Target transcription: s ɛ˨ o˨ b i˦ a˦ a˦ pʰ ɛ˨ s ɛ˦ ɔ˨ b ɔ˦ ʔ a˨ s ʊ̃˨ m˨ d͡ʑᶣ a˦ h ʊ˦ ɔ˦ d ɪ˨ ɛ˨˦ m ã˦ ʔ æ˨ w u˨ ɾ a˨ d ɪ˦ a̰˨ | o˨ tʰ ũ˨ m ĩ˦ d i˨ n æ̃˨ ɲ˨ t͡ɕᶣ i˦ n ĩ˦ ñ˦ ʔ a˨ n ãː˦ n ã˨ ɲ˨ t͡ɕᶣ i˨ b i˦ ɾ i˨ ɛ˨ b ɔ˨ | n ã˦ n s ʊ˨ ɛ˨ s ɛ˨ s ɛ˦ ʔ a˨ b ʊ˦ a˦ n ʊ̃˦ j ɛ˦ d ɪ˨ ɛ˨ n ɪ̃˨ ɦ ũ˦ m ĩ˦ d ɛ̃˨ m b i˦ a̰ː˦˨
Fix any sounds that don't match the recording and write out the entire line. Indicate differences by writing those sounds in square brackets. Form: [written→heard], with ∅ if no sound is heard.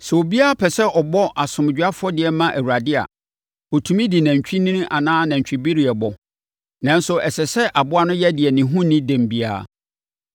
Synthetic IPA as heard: s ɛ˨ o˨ b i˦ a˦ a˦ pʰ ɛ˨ s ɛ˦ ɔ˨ b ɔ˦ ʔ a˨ s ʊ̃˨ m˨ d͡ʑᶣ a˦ [h→f] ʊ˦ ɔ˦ d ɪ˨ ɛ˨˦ m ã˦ ʔ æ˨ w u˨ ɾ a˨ d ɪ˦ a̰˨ | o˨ tʰ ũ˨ m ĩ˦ d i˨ n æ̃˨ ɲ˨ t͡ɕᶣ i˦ n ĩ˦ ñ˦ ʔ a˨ n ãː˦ n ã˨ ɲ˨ t͡ɕᶣ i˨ b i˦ ɾ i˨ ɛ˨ b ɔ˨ | n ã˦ n s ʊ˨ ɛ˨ s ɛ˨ s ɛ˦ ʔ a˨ b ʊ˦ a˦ n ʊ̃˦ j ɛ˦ d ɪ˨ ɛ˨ n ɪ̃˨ ɦ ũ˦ [m→n] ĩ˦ d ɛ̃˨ m b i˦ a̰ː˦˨